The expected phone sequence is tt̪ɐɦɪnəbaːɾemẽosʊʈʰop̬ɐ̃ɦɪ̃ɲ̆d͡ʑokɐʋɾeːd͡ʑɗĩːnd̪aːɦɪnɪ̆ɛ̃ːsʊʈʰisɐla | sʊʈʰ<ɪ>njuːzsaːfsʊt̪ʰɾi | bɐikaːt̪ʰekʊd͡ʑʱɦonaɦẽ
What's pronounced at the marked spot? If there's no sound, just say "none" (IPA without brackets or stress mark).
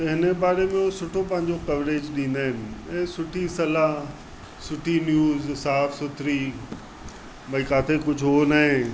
i